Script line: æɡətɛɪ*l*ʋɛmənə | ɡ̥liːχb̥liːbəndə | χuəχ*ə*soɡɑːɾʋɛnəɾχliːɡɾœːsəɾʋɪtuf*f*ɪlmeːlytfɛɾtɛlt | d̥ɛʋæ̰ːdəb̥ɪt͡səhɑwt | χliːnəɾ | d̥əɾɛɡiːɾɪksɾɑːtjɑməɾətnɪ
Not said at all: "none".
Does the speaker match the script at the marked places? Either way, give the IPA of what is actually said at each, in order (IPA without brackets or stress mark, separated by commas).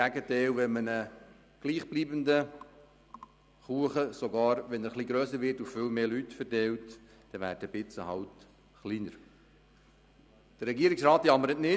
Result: l, ə, f